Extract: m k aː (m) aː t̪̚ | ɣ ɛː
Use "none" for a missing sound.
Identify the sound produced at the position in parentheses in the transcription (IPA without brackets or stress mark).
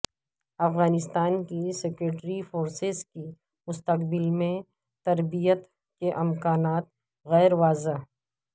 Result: n